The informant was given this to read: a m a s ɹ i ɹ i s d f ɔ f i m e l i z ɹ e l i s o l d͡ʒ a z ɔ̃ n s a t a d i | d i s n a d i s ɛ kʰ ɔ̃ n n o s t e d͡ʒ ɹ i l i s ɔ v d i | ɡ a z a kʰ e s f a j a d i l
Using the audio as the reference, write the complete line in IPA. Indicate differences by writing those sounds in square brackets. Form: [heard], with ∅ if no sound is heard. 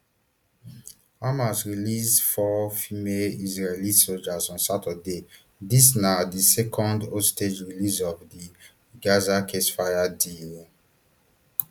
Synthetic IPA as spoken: a m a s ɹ i [l] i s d f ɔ f i m e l i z ɹ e l i s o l d͡ʒ a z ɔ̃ n s a t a d [e] | d i s n a d i s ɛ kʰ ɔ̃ n [d] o s t e d͡ʒ ɹ i l i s ɔ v d i | ɡ a z a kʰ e s f a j a d i l